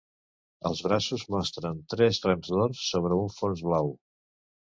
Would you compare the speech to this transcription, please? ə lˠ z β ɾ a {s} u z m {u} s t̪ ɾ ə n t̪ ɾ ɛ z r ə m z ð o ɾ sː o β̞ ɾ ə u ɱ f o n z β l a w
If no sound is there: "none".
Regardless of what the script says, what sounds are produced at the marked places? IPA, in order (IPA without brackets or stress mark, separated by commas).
s, ɔ